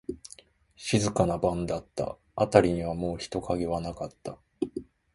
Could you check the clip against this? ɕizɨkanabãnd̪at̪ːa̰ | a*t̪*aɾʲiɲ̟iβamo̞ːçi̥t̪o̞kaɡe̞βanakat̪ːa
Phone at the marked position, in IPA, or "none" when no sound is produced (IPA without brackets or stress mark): t̪